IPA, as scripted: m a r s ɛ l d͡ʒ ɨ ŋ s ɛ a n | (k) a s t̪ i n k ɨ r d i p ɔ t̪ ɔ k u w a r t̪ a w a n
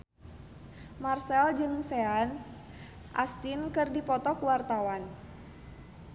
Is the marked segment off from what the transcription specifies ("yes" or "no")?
yes